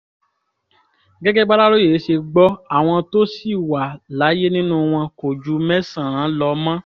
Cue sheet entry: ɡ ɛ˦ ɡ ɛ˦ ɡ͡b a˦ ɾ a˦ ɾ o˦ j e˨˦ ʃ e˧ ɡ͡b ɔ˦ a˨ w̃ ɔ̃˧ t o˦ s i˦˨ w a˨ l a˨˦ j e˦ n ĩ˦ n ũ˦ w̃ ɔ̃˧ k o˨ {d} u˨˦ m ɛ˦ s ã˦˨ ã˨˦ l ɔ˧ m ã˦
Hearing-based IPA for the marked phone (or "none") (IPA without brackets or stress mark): d͡ʒ